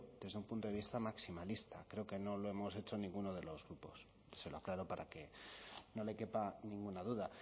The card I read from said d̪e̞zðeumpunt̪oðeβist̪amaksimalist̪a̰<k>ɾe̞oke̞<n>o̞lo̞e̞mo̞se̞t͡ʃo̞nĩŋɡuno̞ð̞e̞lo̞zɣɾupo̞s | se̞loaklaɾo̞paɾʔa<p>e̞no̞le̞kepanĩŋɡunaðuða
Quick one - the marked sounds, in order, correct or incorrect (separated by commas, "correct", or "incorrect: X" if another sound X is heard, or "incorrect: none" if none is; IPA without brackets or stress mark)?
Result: correct, correct, incorrect: k